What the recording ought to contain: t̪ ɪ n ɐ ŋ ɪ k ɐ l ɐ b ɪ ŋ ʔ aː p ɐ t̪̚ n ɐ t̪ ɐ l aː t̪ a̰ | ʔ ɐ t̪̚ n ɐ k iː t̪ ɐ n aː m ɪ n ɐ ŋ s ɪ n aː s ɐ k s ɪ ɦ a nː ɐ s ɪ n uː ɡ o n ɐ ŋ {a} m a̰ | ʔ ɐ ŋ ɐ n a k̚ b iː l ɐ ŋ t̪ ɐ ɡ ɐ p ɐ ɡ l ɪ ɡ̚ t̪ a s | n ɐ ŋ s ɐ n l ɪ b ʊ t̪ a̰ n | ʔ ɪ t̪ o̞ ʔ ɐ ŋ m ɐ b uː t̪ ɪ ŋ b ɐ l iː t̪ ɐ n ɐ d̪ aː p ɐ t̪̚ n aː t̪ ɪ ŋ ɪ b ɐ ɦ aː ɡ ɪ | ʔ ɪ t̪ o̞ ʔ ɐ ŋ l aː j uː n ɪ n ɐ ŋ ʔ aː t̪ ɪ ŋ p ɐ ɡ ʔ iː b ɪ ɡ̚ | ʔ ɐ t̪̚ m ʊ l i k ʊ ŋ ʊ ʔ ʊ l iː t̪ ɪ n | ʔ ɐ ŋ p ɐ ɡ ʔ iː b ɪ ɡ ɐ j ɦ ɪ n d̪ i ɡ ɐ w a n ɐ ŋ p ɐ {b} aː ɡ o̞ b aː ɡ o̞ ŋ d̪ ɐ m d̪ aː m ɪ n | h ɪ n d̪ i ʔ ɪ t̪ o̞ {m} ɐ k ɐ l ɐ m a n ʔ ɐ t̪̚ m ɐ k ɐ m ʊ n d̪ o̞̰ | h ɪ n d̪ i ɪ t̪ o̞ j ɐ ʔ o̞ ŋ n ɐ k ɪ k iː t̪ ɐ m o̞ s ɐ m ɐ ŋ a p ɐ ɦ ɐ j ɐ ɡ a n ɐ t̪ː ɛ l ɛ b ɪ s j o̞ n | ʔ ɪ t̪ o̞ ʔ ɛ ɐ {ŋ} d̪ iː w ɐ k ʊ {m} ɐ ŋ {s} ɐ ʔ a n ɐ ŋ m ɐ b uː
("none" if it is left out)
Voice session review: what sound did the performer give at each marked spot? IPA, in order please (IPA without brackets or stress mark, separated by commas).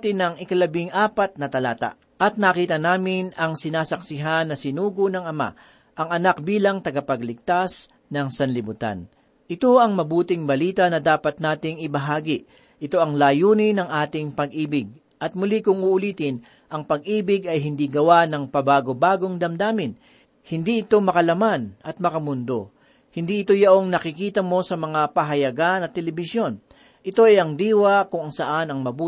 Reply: ɐ, b, m, ŋ, ŋ, s